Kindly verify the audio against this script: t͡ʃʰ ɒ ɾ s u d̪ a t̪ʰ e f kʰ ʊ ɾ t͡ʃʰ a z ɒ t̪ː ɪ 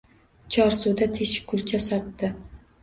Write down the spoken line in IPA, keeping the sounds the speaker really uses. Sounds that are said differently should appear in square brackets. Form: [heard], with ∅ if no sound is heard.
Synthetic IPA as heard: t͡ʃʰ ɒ ɾ s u d̪ a t̪ʰ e [ʃ] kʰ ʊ [l] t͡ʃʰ a [s] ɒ t̪ː ɪ